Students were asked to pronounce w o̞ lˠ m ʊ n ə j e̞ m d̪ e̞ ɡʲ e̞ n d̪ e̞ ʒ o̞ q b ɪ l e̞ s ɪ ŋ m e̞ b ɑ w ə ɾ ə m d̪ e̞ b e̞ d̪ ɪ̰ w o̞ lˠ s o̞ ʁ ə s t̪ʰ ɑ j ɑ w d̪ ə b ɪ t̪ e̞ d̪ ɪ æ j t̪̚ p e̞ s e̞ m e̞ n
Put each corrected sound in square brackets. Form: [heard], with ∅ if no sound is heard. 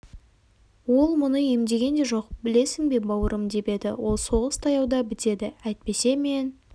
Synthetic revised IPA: w o̞ lˠ m ʊ n ə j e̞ m d̪ e̞ ɡʲ e̞ n d̪ e̞ ʒ o̞ q b ɪ l e̞ s ɪ ŋ [b] e̞ b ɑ w ə ɾ ə m d̪ e̞ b e̞ d̪ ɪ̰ w o̞ lˠ s o̞ ʁ ə s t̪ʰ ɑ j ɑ w d̪ [ɑ] b ɪ t̪ e̞ d̪ ɪ æ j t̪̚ p e̞ s e̞ m e̞ n